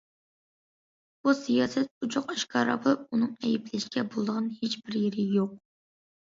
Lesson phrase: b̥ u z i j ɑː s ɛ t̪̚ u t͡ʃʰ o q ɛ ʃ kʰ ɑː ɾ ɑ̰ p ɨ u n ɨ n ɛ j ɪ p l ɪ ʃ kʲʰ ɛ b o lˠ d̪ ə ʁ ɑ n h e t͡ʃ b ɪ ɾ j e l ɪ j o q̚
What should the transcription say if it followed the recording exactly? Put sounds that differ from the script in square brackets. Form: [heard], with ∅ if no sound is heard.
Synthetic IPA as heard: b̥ u [s] i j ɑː s ɛ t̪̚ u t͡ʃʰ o q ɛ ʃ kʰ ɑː ɾ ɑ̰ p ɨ u n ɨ [ŋ] ɛ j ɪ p l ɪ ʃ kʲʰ ɛ b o lˠ d̪ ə ʁ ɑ n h e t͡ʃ b ɪ ɾ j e [ɾ] ɪ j o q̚

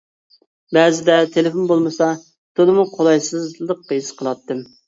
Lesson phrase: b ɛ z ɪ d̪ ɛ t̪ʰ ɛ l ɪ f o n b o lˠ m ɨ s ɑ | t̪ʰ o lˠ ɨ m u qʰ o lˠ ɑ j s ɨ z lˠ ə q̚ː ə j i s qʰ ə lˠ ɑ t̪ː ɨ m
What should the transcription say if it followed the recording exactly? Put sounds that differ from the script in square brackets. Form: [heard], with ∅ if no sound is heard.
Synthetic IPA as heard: b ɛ z ɪ d̪ ɛ t̪ʰ [e] l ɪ f o n b o lˠ m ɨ s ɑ | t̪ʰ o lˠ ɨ m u qʰ o lˠ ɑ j s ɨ z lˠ ə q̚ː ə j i s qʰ ə lˠ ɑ t̪ː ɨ m

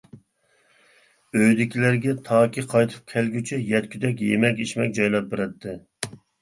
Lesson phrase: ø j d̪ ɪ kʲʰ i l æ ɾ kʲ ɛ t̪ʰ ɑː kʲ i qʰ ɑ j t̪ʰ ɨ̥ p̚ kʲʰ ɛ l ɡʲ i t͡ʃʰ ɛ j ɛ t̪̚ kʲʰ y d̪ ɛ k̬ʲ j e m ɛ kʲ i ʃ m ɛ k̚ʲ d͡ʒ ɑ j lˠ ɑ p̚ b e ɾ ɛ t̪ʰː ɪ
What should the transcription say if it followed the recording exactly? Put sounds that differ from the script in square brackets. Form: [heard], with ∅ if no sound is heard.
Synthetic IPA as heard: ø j d̪ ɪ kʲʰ i l æ ɾ [ɡʲ] ɛ t̪ʰ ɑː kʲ i qʰ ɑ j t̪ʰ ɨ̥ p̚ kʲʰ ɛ l ɡʲ [y] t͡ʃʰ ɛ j ɛ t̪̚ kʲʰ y d̪ ɛ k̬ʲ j e m ɛ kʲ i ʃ m ɛ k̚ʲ d͡ʒ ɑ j lˠ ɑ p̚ b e ɾ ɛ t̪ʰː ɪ

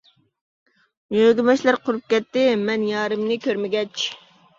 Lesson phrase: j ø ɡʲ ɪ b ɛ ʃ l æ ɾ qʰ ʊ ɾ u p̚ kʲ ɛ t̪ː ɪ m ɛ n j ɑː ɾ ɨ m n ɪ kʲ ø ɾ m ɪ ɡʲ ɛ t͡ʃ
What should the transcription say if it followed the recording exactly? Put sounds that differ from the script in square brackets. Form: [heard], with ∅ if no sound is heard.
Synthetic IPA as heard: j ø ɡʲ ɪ [m] ɛ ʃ l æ ɾ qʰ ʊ ɾ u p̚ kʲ ɛ t̪ː ɪ m ɛ n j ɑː ɾ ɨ m n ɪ kʲ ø ɾ m ɪ ɡʲ ɛ t͡ʃ

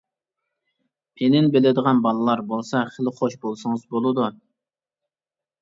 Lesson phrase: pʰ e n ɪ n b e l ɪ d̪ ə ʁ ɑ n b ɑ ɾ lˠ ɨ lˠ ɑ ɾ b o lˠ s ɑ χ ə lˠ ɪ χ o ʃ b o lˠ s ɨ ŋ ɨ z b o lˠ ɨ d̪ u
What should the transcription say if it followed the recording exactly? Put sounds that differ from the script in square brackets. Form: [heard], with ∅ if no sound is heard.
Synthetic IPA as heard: pʰ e n ɪ n b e l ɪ d̪ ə ʁ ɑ n b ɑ [∅] lˠ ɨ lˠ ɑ ɾ b o lˠ s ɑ χ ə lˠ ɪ χ o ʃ b o lˠ s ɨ ŋ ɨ z b o lˠ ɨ d̪ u

